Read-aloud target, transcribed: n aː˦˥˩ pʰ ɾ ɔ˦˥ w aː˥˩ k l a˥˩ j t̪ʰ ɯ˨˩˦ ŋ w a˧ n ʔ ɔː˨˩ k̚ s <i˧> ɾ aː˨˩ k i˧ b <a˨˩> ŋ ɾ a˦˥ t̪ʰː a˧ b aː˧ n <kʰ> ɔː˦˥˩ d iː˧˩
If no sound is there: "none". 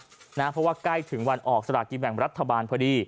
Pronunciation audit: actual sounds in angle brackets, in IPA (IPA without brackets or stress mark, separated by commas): a˧, ɛ˨˩, pʰ